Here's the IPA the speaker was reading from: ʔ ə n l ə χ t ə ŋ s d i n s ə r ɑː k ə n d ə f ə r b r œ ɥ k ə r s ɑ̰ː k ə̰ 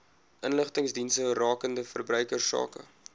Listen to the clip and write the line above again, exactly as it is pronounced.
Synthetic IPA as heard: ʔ ə n l ə χ t ə ŋ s d i n s ə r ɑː k ə n d ə f ə r b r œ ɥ k ə r s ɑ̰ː k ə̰